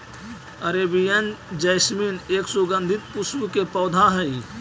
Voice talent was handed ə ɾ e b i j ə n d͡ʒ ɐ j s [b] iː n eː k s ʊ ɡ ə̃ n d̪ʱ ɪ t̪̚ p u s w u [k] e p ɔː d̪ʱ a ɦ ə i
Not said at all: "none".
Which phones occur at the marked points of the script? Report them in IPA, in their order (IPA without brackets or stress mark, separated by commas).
m, k